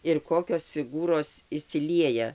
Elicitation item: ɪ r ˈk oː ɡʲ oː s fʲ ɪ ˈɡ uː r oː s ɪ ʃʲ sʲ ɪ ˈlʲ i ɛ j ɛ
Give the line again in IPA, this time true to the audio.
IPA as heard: ɪ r ˈk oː kʲ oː s fʲ ɪ ˈɡ uː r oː s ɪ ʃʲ sʲ ɪ ˈlʲ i ɛ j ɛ

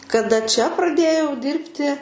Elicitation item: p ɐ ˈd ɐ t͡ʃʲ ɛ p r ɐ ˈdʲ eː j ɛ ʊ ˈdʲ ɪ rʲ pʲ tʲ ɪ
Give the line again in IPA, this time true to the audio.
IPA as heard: k ɐ ˈd ɐ t͡ʃʲ ɛ p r ɐ ˈdʲ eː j ɛ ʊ ˈdʲ ɪ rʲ pʲ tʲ ɪ

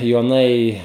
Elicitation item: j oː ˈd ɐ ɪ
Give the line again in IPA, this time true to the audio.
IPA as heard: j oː ˈn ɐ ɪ

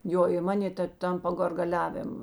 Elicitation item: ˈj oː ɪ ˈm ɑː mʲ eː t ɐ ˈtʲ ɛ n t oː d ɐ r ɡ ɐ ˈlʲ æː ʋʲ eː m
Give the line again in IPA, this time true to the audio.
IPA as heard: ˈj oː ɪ ˈm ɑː nʲ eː t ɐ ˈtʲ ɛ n p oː ɡ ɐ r ɡ ɐ ˈlʲ æː ʋʲ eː m

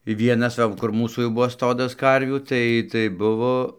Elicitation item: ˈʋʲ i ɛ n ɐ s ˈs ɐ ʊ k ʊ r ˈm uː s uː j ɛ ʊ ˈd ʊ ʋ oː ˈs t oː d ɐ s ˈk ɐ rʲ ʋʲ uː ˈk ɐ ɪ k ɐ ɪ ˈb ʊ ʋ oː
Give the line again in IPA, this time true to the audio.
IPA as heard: ˈʋʲ i ɛ n ɐ s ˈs ɐ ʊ k ʊ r ˈm uː s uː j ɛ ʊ ˈb ʊ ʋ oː ˈs t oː d ɐ s ˈk ɐ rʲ ʋʲ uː ˈt ɐ ɪ t ɐ ɪ ˈb ʊ ʋ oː

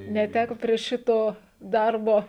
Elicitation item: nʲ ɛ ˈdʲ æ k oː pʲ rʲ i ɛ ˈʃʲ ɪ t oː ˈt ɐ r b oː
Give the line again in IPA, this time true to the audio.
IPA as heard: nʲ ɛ ˈtʲ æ k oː pʲ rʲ i ɛ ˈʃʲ ɪ t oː ˈd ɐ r b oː

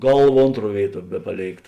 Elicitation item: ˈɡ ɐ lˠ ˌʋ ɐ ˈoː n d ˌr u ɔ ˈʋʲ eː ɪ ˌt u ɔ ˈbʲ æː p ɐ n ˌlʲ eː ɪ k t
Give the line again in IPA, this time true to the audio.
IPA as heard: ˈɡ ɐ lˠ ˌʋ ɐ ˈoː n t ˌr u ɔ ˈʋʲ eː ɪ ˌt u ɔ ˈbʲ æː p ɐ ˌlʲ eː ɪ k t

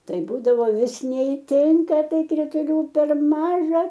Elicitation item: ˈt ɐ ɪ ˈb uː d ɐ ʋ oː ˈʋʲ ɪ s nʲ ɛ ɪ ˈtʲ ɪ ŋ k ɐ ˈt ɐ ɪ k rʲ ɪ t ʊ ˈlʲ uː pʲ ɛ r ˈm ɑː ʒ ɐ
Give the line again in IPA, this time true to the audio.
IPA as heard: ˈt ɐ ɪ ˈb uː d ɐ ʋ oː ˈʋʲ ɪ s nʲ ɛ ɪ ˈtʲ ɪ ŋ k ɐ ˈt ɐ ɪ k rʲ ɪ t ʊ ˈlʲ uː pʲ ɛ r ˈm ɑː ʒ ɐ

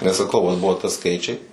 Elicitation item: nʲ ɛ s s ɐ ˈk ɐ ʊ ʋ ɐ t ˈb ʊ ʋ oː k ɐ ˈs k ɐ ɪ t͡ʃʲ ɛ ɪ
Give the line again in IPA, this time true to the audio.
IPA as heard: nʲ ɛ s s ɐ ˈk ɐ ʊ ʋ ɐ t ˈb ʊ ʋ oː t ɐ ˈs k ɐ ɪ t͡ʃʲ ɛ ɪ

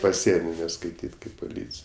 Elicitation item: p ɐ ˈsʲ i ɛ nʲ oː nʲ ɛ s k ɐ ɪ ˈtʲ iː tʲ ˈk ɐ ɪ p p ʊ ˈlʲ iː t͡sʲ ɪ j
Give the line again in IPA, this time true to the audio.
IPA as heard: p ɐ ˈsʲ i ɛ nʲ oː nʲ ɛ s k ɐ ɪ ˈtʲ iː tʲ ˈk ɐ ɪ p p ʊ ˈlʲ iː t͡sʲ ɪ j

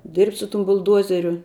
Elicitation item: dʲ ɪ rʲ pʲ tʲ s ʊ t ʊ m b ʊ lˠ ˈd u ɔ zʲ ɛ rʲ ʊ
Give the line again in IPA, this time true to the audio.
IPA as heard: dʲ ɪ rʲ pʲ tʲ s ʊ t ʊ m b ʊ lˠ ˈd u ɔ zʲ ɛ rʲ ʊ

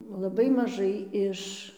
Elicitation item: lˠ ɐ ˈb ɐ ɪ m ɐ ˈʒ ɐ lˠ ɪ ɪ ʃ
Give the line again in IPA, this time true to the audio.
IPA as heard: lˠ ɐ ˈb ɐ ɪ m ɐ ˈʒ ɐ ɪ ɪ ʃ

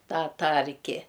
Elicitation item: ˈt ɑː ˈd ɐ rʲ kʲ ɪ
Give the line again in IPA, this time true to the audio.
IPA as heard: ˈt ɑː ˈt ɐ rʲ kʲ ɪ

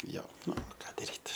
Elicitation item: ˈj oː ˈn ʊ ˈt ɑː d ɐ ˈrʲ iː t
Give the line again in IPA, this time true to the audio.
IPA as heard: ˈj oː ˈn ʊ ˈk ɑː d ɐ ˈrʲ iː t

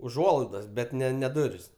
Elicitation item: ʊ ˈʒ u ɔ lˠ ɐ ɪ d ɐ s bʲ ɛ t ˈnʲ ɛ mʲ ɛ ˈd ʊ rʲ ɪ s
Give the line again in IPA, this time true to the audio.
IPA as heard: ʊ ˈʒ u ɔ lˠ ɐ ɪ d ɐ s bʲ ɛ t ˈnʲ ɛ nʲ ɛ ˈd ʊ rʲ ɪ s

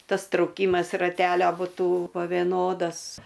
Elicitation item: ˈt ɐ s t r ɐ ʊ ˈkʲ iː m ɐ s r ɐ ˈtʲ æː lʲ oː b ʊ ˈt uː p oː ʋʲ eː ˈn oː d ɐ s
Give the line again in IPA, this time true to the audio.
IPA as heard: ˈt ɐ s t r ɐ ʊ ˈkʲ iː m ɐ s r ɐ ˈtʲ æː lʲ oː b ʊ ˈt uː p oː ʋʲ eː ˈn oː d ɐ s

